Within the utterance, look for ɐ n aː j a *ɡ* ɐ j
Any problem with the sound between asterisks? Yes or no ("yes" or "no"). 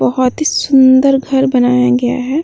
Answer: no